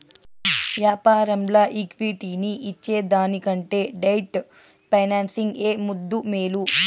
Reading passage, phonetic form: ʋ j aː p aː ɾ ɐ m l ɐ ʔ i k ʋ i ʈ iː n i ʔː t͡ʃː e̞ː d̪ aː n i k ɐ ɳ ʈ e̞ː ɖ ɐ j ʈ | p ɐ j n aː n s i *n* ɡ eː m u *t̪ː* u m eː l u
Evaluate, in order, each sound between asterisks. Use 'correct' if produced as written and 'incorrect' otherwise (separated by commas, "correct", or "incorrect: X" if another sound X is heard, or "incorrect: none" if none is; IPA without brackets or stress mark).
incorrect: ŋ, incorrect: d̪ː